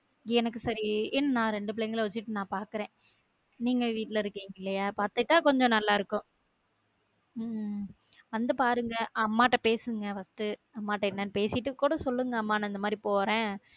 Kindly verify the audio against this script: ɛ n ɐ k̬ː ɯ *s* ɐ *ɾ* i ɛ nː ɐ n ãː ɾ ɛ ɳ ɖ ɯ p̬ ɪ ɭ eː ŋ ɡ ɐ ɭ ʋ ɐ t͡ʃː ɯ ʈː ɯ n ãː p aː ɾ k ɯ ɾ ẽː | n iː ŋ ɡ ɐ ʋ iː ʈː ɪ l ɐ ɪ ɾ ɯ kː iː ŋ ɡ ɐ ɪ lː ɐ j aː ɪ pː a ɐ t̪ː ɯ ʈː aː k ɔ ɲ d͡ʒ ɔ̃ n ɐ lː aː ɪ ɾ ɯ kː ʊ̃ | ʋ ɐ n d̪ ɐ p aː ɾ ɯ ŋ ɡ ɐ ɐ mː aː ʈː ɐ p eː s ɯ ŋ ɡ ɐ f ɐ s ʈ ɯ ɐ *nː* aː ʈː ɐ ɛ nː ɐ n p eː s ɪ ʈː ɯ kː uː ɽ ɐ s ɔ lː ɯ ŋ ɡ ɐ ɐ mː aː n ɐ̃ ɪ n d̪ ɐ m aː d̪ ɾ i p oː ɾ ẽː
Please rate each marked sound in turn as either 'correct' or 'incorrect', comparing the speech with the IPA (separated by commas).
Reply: correct, correct, incorrect